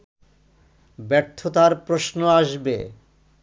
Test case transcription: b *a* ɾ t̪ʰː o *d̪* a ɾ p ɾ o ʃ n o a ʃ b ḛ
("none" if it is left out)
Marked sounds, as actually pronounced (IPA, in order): ɛ, t̪

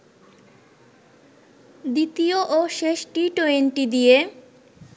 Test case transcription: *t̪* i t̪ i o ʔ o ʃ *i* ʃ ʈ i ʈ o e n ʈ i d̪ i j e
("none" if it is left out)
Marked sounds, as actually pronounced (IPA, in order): d̪, e

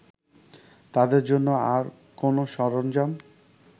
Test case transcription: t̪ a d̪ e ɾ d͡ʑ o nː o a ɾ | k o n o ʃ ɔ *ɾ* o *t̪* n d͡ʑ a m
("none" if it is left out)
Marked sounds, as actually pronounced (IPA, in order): ɾ, none

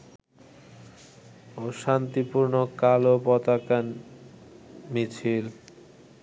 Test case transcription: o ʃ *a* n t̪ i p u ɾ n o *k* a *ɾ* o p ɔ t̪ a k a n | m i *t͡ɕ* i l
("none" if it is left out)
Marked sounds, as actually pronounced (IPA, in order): a, k, l, t͡ɕʰ

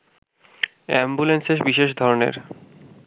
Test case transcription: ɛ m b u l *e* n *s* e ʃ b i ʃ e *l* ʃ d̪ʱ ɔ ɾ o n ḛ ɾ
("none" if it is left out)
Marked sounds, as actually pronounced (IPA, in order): e, s, none

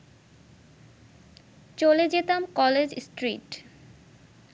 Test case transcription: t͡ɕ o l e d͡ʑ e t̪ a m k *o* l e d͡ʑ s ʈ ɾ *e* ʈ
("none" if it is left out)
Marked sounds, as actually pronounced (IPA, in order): ɔ, i

